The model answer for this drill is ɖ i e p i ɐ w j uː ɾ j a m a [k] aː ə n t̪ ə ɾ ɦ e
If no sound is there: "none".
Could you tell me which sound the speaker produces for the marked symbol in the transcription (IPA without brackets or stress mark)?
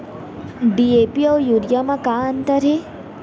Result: k